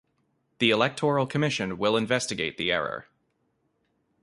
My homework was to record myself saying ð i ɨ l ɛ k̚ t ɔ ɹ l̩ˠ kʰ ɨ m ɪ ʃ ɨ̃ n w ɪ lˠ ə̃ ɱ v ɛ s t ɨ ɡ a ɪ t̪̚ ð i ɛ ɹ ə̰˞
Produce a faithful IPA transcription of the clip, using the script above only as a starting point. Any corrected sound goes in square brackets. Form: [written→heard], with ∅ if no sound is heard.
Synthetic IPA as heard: ð i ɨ l ɛ k̚ [t→tʰ] ɔ ɹ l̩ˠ kʰ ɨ m ɪ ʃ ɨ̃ n w ɪ lˠ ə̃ ɱ v ɛ s t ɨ ɡ [a→e] ɪ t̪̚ ð i ɛ ɹ ə̰˞